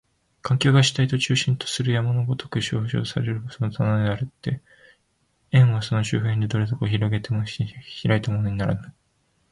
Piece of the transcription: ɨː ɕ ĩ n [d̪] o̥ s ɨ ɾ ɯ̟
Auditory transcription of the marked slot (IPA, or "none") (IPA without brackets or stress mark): t̪